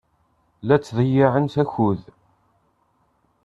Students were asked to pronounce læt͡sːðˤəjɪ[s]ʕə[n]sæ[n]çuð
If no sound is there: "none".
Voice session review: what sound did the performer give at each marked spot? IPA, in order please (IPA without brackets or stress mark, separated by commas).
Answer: none, n, none